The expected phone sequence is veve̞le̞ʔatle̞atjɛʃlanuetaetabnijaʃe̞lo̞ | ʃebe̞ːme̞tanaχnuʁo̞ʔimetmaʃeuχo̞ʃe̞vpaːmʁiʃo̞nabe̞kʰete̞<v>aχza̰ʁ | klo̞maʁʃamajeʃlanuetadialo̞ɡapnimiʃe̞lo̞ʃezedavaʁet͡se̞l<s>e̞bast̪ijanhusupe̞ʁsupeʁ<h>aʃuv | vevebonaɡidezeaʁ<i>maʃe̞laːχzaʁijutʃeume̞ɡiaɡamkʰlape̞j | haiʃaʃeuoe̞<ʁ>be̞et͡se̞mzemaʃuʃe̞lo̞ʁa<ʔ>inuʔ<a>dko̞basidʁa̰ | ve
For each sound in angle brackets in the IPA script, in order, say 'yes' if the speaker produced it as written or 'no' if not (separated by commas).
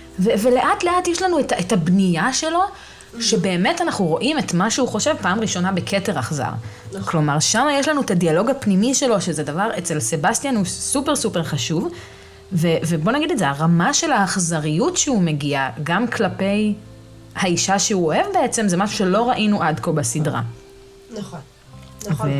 no, yes, no, no, no, yes, yes